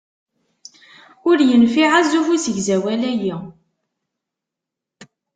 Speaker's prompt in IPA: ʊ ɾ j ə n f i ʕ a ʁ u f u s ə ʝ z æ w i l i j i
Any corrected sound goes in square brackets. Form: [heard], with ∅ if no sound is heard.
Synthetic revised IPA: ʊ ɾ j ə n f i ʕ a [z] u f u s ə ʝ z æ w [æ] l [æ] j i